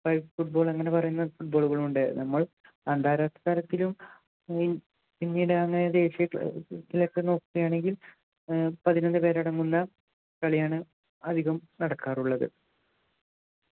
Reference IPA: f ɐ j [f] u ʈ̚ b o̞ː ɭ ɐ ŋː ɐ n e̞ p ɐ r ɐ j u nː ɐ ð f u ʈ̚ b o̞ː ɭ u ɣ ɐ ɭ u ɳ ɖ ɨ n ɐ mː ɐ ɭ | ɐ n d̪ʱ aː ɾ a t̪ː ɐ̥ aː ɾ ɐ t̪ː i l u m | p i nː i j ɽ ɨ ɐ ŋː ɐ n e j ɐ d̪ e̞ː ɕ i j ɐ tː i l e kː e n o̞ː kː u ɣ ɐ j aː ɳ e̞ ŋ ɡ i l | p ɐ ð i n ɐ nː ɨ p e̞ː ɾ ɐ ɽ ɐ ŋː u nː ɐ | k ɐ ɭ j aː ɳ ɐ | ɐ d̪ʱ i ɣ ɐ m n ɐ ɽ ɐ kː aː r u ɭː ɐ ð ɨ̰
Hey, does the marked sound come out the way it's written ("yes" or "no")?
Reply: yes